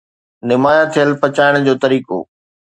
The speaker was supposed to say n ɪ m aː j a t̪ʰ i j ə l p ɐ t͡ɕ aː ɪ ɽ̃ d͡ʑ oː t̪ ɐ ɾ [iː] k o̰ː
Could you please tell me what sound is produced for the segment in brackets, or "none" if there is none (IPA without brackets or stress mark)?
iː